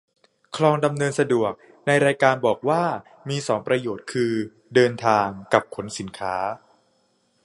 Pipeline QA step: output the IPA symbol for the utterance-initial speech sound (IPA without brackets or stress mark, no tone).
kʰ